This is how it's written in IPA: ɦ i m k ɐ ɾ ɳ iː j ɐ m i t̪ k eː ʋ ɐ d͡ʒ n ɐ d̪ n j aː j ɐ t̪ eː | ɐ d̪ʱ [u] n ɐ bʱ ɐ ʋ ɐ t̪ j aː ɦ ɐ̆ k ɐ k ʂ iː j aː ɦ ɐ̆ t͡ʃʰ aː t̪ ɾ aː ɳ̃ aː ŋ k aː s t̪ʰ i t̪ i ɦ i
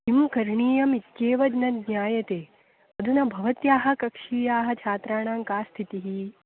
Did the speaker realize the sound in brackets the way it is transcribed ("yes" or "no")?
yes